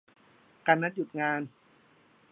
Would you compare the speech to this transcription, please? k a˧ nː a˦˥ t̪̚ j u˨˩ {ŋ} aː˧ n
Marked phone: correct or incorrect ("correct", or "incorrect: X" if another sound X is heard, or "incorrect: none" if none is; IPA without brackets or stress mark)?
correct